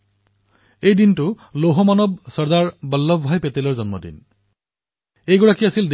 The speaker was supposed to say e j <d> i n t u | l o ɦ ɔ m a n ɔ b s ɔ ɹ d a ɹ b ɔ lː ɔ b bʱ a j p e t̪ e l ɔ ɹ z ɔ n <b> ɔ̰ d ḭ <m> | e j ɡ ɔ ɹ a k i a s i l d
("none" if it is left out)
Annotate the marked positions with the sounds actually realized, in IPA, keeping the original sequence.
d, m, n

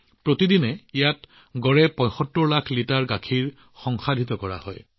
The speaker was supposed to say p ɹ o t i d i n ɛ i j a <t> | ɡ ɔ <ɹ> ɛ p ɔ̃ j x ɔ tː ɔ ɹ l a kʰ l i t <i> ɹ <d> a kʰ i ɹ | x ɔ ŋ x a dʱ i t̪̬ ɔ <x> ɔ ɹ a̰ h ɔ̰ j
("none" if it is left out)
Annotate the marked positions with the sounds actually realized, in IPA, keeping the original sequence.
t, ɹ, a, ɡ, k

